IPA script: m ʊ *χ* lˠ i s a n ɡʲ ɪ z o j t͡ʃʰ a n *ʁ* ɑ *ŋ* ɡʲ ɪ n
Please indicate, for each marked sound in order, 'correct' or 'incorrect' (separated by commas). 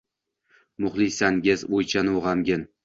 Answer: correct, correct, incorrect